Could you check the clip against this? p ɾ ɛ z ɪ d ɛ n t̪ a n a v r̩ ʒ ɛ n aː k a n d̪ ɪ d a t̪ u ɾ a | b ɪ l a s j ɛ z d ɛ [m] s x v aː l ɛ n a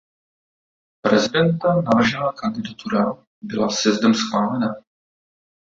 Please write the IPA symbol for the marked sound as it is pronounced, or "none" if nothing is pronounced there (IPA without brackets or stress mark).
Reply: m